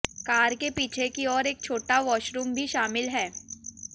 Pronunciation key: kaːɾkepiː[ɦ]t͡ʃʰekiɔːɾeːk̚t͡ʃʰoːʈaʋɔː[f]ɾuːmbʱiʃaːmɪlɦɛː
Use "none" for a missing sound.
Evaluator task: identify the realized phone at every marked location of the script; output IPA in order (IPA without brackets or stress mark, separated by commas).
none, ʃ